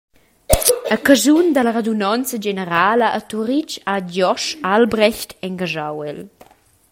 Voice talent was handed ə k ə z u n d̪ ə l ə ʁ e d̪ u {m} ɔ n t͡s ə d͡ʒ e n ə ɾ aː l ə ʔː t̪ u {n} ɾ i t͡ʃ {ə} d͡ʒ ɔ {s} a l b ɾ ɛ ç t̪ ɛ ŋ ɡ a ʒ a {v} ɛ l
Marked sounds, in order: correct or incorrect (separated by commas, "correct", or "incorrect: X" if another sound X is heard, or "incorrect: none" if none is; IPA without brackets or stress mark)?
incorrect: n, incorrect: none, incorrect: a, incorrect: ʃ, incorrect: w